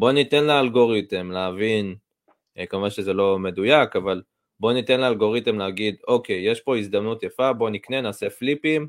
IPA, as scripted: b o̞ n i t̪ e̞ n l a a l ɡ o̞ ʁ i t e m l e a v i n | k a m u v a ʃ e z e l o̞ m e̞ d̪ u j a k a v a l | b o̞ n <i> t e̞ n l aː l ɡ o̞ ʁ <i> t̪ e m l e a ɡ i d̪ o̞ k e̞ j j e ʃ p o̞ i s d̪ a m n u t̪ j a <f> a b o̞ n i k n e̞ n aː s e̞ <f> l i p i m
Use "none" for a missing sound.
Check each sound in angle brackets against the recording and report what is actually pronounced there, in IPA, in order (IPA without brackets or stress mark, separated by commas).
i, i, f, f